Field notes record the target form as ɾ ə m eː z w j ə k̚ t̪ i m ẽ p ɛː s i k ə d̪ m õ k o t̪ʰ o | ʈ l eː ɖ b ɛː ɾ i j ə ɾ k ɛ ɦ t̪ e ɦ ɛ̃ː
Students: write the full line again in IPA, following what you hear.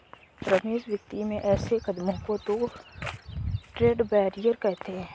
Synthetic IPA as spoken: ɾ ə m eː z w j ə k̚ t̪ i m ẽ ʔ ɛː s e k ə d̪ m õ k o t̪ o | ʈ ɾ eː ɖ b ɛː ɾ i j ə ɾ k ɛ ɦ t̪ e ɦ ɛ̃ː

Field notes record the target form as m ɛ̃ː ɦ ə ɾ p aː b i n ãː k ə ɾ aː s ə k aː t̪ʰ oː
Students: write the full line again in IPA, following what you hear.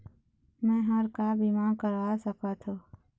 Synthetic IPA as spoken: m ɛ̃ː ɦ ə ɾ k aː b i m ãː k ə ɾ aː s ə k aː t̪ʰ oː

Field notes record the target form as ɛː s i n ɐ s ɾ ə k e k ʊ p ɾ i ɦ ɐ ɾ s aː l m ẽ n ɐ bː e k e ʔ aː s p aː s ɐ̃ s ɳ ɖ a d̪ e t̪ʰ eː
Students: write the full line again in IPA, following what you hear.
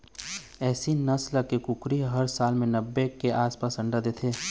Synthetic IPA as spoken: ɛː s i n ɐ s l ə k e k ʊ k ɾ i ɦ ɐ ɾ s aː l m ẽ n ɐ bː e k e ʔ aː s p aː s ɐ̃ ɳ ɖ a d̪ e t̪ʰ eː

